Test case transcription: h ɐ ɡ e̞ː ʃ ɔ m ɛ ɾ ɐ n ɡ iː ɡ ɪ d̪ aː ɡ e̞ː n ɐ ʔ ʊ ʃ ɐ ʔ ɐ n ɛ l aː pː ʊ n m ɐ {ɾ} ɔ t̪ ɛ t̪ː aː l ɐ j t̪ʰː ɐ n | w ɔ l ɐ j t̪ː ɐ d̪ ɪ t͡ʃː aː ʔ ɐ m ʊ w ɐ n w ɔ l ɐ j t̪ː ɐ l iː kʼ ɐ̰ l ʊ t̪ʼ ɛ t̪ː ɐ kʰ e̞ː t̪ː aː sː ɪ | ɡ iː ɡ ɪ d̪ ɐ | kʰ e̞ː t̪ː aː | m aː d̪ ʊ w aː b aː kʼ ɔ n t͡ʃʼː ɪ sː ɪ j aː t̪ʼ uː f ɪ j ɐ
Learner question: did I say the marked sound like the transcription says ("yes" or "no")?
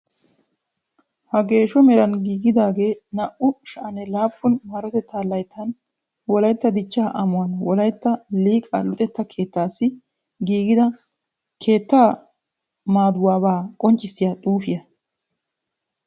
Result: yes